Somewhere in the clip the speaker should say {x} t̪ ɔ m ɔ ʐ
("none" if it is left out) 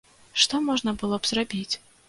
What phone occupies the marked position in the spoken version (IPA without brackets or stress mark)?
ʂ